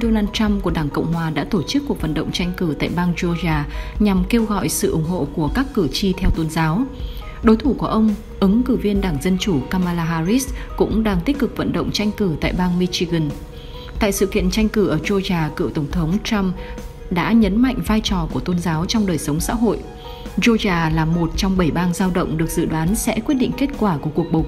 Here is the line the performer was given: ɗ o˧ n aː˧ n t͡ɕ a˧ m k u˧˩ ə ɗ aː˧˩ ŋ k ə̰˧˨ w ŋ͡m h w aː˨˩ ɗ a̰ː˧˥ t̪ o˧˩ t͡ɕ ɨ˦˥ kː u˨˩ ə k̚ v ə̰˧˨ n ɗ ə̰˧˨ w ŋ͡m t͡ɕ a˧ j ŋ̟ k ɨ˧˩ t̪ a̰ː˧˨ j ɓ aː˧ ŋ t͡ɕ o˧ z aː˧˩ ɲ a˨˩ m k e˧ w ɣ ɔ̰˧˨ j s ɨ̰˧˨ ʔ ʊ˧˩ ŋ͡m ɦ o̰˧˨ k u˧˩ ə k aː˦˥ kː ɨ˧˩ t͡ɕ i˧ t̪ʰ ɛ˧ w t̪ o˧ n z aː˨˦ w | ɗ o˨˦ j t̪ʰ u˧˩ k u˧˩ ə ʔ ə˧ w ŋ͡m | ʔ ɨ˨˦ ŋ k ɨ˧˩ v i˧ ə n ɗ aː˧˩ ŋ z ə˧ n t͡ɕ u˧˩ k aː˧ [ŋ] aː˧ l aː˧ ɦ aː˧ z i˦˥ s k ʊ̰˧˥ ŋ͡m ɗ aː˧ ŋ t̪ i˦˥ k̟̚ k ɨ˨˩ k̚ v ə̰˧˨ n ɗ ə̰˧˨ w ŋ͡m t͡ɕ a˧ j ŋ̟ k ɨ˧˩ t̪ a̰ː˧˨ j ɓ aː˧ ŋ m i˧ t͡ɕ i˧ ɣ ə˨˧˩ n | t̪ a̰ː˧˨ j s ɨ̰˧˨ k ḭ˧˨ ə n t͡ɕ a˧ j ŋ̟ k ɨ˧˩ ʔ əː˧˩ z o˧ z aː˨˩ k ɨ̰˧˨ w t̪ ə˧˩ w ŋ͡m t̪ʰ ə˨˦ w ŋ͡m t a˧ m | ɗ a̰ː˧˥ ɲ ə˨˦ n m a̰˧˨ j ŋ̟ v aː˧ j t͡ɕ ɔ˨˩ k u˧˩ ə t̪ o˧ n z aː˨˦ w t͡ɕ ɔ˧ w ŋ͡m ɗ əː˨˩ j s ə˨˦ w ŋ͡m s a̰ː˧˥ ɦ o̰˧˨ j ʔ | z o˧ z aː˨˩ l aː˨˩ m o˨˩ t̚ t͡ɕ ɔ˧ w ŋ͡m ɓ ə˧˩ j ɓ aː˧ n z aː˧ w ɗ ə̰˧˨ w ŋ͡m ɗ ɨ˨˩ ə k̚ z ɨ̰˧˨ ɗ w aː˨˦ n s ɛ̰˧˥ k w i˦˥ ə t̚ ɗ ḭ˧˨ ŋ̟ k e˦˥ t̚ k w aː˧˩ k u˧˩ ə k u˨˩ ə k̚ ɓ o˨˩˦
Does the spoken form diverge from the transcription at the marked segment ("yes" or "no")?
yes